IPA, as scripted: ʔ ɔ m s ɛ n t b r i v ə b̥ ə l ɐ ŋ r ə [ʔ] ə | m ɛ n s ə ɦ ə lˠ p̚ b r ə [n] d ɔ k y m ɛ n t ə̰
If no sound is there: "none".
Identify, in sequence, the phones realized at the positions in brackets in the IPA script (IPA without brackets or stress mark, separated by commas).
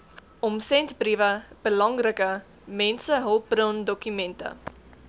k, n